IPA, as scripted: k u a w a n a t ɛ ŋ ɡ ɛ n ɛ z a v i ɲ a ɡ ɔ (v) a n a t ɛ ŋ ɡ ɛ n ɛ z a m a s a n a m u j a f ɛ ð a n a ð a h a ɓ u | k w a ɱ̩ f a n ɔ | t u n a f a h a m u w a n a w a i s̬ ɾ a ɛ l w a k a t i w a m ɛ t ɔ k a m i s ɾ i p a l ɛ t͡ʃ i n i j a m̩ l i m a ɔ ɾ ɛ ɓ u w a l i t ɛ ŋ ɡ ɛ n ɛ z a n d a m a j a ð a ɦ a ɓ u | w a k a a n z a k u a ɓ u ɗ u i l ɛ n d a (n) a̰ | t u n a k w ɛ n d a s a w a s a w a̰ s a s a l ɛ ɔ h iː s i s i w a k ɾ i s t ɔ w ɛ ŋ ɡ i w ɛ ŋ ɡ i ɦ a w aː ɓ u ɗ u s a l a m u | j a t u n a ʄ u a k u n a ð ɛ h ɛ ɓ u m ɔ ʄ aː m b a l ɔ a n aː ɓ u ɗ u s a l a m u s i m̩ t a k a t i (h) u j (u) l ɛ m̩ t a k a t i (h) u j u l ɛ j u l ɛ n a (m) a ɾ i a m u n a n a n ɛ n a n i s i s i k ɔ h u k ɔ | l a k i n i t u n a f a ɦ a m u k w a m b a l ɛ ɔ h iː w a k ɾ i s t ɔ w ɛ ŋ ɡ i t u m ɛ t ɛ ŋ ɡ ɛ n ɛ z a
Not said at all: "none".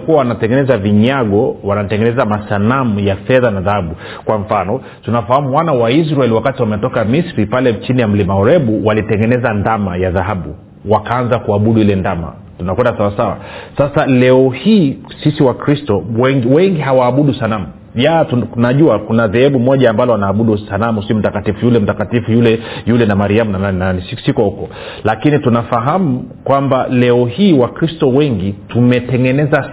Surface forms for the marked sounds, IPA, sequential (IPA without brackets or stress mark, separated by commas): w, m, f, u, f, m